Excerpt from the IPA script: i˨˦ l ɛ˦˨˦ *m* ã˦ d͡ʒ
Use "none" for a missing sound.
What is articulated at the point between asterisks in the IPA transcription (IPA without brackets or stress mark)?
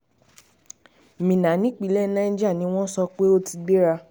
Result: n